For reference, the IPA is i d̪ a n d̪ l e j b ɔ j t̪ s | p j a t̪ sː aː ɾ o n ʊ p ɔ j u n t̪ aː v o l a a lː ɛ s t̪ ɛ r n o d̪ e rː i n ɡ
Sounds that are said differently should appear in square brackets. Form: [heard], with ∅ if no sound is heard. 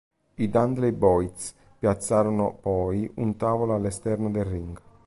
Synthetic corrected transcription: i d̪ a n d̪ l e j b ɔ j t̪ s | p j a t̪ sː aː ɾ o n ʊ p ɔ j u n t̪ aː v o l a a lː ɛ s t̪ ɛ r n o d̪ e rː i [ŋ] ɡ